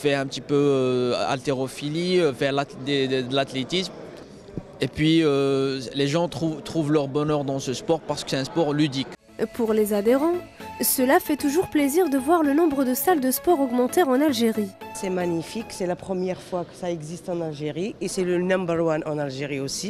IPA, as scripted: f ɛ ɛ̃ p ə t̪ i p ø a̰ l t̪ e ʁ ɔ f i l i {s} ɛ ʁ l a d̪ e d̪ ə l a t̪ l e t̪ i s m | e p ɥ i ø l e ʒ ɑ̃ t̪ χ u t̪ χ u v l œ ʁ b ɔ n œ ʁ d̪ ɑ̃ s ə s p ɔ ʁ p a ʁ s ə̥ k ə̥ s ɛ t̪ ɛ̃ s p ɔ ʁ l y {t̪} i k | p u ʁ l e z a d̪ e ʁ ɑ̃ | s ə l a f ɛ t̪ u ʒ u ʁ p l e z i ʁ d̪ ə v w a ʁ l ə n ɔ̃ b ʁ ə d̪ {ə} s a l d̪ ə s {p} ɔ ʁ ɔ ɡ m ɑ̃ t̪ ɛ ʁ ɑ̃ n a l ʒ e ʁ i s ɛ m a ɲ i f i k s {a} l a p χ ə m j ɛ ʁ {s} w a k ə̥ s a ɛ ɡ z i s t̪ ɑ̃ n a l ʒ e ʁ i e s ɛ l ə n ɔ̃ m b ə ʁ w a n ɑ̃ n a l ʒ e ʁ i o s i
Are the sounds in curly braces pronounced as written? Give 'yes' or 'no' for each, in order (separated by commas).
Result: no, no, yes, yes, no, no